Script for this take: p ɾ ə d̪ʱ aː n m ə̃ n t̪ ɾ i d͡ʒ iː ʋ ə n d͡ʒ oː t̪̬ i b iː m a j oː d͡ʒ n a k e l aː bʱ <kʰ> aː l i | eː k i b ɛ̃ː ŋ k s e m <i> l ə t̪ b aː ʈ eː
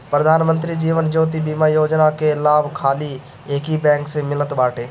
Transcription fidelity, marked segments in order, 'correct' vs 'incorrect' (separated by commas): correct, incorrect